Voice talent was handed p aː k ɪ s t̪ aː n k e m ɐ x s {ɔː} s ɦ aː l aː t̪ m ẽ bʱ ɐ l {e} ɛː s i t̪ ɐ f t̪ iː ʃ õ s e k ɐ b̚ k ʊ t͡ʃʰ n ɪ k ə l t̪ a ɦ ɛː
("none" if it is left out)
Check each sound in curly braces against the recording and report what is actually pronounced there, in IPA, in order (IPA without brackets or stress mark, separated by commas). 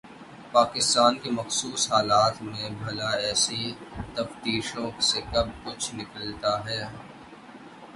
uː, a